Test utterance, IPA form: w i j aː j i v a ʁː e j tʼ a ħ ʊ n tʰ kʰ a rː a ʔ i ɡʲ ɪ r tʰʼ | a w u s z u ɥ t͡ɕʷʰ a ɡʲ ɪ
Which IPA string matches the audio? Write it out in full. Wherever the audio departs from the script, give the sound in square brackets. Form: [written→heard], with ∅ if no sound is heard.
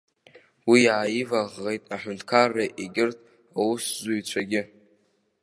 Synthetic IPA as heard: w i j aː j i v a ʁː e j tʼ a ħ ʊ n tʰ kʰ a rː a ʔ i ɡʲ ɪ r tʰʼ | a w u s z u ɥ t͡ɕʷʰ a ɡʲ ɪ